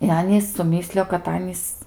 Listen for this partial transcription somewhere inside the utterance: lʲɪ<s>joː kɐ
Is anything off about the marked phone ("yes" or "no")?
yes